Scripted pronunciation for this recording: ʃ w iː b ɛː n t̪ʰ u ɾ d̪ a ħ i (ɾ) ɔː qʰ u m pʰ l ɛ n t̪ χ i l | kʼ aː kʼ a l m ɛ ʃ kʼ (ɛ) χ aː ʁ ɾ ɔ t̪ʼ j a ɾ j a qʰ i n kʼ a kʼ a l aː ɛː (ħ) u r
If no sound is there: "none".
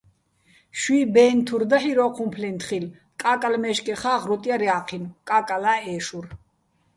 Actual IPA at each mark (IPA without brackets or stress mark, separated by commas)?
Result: ɾ, ɛ, ʃ